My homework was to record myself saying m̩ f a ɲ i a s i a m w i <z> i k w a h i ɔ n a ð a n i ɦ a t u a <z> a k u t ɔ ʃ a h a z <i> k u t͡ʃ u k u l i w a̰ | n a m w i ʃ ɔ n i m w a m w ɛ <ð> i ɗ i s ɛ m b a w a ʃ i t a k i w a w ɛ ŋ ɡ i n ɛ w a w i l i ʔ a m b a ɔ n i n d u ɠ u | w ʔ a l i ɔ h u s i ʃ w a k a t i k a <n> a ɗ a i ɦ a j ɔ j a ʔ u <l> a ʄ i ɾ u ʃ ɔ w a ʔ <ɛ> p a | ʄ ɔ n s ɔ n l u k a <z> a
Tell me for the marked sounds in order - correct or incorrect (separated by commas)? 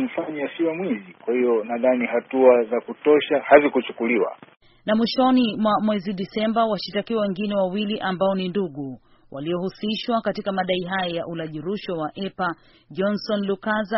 correct, correct, correct, incorrect, incorrect, correct, correct, correct